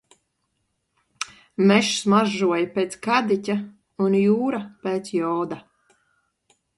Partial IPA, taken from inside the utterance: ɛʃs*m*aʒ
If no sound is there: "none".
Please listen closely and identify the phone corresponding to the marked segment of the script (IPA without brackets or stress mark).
m